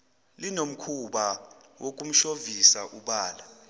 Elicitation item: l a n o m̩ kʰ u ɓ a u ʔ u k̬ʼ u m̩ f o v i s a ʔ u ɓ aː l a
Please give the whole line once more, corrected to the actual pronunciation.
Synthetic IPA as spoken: l i n o m̩ kʰ u ɓ a w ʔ o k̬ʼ u m̩ ʃ o v i s a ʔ u ɓ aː l a